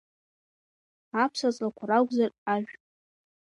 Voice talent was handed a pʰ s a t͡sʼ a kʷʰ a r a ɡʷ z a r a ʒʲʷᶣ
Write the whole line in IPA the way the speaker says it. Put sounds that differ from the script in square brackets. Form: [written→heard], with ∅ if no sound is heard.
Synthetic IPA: a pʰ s a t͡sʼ a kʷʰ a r a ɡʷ z a r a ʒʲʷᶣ